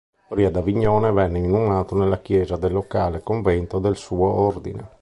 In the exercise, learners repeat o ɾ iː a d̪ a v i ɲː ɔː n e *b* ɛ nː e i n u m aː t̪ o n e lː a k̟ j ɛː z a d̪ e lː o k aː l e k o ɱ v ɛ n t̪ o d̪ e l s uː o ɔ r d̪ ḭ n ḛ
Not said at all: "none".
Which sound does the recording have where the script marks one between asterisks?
v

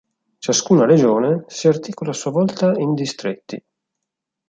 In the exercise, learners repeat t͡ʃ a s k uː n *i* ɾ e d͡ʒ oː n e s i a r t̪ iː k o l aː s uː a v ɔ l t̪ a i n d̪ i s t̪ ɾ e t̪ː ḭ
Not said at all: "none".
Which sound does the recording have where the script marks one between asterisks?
a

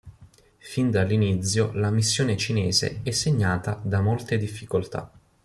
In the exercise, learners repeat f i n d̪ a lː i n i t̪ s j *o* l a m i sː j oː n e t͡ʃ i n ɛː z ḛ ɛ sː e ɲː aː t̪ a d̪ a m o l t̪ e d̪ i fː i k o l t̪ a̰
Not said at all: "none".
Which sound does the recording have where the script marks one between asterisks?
o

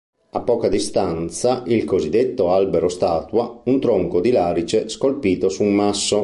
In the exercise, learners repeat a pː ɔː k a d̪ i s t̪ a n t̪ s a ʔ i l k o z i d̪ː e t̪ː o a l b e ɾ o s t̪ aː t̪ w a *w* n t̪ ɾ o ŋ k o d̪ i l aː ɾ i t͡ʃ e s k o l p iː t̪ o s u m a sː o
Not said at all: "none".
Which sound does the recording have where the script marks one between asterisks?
u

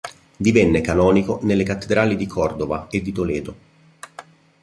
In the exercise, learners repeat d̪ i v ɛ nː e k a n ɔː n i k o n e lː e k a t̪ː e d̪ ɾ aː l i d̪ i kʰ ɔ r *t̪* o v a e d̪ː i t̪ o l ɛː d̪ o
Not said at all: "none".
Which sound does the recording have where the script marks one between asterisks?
d̪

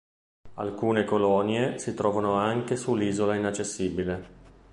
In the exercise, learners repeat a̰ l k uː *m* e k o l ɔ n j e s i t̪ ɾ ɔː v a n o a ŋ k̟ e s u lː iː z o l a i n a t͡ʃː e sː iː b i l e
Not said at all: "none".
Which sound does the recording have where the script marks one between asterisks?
n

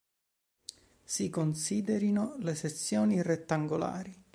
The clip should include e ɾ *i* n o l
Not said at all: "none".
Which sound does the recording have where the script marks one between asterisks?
i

